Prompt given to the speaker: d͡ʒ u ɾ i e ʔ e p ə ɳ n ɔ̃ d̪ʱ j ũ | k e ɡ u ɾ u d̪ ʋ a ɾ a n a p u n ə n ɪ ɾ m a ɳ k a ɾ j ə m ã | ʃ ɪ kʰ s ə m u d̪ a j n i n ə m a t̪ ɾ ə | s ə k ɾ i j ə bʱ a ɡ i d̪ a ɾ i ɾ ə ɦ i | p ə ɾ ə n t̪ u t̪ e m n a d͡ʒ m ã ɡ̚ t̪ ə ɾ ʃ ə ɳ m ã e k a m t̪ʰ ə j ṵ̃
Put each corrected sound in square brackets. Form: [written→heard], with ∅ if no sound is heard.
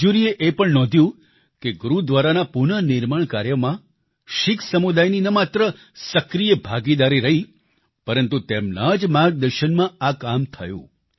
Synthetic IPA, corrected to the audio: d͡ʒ u ɾ i e ʔ e p ə ɳ n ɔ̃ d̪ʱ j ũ | k e ɡ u ɾ u d̪ ʋ a ɾ a n a p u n ə n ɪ ɾ m a ɳ k a ɾ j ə m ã | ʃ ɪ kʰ s ə m u d̪ a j n i n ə m a t̪ ɾ ə | s ə k ɾ i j ə bʱ a ɡ i d̪ a ɾ i ɾ ə ɦ i | p ə ɾ ə n t̪ u t̪ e m n a d͡ʒ m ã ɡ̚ [t̪→d̪] ə ɾ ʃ ə [ɳ→n] m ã [e→a] k a m t̪ʰ ə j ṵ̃